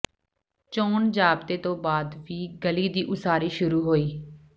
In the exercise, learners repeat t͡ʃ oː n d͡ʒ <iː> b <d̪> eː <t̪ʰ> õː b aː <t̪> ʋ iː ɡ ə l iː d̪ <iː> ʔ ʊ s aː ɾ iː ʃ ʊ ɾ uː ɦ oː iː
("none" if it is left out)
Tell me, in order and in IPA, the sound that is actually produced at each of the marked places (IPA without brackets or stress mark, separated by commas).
aː, t̪, t̪, d̪, iː